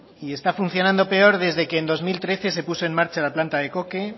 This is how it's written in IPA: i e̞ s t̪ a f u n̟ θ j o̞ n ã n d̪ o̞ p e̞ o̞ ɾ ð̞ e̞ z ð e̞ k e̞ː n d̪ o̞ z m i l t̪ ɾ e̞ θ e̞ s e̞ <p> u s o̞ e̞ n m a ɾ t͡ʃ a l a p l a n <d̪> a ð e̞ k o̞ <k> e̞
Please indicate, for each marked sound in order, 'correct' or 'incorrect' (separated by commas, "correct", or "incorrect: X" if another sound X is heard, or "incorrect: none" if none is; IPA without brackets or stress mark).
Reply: correct, incorrect: t̪, correct